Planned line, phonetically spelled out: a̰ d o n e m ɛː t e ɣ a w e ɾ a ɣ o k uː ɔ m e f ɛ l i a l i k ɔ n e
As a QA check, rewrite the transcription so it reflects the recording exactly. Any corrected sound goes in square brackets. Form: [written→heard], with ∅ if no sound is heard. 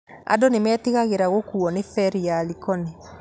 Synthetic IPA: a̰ d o n e m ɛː t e ɣ a [w→ɣ] e ɾ a ɣ o k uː ɔ [m→n] e f ɛ [l→ɾ] i a l i k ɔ n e